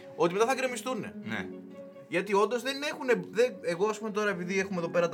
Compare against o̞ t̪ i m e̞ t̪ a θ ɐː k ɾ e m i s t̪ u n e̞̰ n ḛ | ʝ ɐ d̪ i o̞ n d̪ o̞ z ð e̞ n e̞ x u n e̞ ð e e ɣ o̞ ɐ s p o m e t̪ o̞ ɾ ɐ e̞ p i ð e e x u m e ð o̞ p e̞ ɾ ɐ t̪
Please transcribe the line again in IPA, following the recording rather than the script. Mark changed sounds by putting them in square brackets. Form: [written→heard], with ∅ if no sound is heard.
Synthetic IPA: o̞ t̪ i m e̞ t̪ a θ [ɐː→ɐ] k ɾ e m i s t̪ u n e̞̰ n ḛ | ʝ ɐ [d̪→t̪] i o̞ n d̪ o̞ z ð e̞ n e̞ x u n e̞ ð e e ɣ o̞ ɐ s p [o→u] m e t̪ o̞ ɾ ɐ e̞ p i ð [e→i] e x u m e ð o̞ p e̞ ɾ ɐ t̪